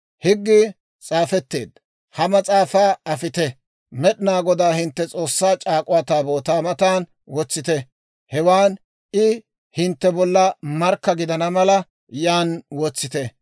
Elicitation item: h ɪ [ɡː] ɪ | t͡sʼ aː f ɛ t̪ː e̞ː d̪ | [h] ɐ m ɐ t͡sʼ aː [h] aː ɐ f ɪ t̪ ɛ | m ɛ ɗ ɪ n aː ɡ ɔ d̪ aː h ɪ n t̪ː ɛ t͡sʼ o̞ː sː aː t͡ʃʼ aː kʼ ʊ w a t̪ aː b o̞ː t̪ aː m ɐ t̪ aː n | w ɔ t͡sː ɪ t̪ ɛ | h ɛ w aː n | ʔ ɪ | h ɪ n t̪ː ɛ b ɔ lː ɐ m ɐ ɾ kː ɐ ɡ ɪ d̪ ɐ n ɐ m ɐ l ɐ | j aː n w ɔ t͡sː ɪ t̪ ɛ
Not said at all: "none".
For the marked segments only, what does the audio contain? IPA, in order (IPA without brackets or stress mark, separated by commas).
ɡː, h, f